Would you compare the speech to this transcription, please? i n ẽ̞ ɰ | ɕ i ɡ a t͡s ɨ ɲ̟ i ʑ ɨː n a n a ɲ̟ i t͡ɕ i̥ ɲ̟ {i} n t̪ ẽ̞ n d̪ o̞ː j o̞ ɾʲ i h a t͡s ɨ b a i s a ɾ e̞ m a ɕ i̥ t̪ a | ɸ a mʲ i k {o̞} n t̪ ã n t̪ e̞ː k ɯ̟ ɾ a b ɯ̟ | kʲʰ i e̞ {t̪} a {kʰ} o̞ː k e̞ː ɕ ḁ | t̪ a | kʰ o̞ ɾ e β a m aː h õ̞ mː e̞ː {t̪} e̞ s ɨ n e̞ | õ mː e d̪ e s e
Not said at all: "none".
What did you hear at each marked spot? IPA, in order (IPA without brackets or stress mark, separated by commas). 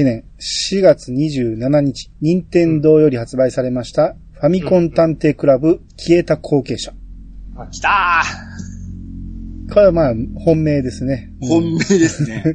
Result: ĩ, õ̞, t̪, kʰ, d̪